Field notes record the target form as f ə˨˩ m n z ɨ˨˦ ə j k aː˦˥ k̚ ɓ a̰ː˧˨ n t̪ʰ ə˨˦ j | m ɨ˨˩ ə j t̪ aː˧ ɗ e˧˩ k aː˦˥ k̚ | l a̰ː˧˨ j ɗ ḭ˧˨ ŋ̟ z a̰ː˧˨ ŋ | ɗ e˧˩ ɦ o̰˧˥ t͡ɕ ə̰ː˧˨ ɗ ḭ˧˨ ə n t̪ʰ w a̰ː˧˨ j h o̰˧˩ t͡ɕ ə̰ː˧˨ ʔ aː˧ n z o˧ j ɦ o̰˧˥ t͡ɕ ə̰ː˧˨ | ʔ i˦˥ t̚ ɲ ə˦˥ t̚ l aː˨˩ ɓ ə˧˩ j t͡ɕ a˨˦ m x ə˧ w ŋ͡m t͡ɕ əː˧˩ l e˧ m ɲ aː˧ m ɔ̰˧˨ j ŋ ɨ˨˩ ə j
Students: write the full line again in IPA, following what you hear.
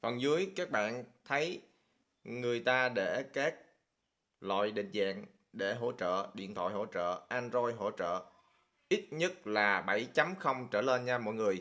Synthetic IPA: f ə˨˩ n z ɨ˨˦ ə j k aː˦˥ k̚ ɓ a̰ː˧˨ n t̪ʰ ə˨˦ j | ŋ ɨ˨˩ ə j t̪ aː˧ ɗ e˧˩ k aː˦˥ k̚ | l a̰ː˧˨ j ɗ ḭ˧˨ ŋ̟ z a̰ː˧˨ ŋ | ɗ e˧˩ ɦ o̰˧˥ t͡ɕ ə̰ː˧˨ ɗ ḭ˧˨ ə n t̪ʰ w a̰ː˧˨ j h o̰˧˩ t͡ɕ ə̰ː˧˨ ʔ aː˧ n z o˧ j ɦ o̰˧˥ t͡ɕ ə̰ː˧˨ | ʔ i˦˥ t̚ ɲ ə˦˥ t̚ l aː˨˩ ɓ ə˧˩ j t͡ɕ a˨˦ m x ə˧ w ŋ͡m t͡ɕ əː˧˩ l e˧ n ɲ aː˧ m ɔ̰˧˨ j ŋ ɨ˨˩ ə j

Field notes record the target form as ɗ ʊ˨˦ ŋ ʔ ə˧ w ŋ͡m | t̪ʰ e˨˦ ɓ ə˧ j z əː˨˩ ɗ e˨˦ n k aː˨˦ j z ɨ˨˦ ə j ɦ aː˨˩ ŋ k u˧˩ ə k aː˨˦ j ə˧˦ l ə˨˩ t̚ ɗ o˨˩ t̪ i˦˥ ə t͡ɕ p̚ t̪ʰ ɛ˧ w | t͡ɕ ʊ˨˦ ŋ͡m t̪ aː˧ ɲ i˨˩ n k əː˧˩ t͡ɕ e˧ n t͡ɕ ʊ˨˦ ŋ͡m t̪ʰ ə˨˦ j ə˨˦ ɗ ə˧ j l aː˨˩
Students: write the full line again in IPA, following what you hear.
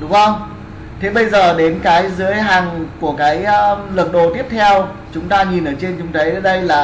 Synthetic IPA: ɗ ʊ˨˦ ŋ͡m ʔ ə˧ w ŋ͡m | t̪ʰ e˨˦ ɓ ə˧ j z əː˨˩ ɗ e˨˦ n k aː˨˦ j z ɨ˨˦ ə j ɦ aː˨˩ ŋ k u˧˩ ə k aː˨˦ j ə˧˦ l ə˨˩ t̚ ɗ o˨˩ t̪ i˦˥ ə p̚ t̪ʰ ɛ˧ w | t͡ɕ ʊ˨˦ ŋ͡m t̪ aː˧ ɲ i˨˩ n ʔ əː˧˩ t͡ɕ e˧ n t͡ɕ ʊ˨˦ ŋ͡m t̪ʰ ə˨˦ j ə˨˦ ɗ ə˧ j l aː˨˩

